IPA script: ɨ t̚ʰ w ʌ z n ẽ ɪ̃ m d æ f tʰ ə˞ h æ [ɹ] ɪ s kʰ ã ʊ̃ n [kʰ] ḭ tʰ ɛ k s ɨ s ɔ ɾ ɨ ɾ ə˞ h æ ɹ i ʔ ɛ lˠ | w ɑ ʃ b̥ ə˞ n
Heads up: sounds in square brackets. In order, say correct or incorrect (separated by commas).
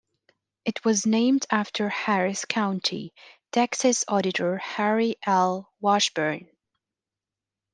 correct, incorrect